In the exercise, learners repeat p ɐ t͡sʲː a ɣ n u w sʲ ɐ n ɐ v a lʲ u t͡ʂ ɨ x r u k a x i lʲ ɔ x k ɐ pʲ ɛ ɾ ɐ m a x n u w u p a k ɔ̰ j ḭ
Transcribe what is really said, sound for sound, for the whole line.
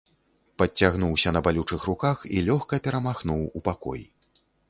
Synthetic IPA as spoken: p ɐ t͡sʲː a ɣ n u w sʲ ɐ n ɐ b a lʲ u t͡ʂ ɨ x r u k a x i lʲ ɔ x k ɐ pʲ ɛ ɾ ɐ m a x n u w u p a k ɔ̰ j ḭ